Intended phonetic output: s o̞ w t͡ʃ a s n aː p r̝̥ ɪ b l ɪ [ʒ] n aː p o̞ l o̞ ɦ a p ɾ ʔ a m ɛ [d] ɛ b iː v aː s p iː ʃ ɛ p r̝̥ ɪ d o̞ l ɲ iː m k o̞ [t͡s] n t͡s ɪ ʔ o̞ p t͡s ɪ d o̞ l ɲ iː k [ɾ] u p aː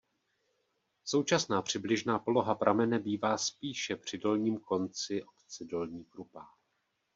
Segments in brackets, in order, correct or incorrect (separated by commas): correct, incorrect, incorrect, correct